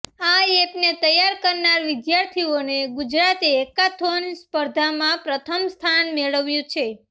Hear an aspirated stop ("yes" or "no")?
yes